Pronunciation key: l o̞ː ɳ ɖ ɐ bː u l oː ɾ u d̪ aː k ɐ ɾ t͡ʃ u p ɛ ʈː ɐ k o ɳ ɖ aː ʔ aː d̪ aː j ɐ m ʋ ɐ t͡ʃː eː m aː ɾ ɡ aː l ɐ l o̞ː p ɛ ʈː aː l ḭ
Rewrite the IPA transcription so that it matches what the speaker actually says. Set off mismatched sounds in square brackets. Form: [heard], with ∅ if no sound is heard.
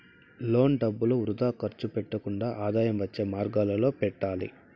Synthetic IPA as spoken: l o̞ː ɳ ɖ ɐ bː u l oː ɾ u d̪ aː k ɐ ɾ t͡ʃ u p ɛ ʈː ɐ k [u] ɳ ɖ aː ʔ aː d̪ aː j ɐ m ʋ ɐ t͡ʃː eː m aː ɾ ɡ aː l ɐ l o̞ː p ɛ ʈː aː l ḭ